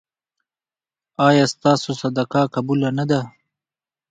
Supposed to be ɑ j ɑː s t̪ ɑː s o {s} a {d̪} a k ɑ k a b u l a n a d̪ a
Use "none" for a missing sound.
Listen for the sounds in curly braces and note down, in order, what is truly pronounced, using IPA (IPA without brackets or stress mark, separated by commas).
s, d̪